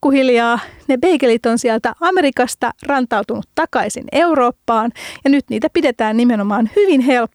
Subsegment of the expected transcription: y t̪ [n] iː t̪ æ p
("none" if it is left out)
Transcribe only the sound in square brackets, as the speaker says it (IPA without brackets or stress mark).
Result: n